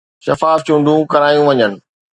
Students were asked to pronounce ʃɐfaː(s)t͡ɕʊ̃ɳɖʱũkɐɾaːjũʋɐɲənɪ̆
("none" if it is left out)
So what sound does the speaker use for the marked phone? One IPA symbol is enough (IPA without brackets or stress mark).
f